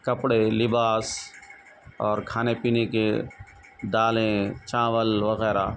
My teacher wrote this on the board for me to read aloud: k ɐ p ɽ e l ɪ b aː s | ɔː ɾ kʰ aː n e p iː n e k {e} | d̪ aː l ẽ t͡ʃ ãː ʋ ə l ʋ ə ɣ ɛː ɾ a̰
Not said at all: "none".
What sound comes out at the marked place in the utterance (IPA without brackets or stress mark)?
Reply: e